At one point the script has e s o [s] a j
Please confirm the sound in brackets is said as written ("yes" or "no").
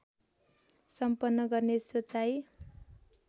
no